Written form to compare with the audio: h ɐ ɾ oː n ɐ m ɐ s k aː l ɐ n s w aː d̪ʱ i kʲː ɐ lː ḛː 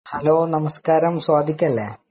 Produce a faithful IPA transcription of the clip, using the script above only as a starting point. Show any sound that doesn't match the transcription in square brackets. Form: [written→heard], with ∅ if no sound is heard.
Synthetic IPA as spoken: h ɐ [ɾ→l] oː n ɐ m ɐ s k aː [l→ɾ] ɐ [n→m] s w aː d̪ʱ i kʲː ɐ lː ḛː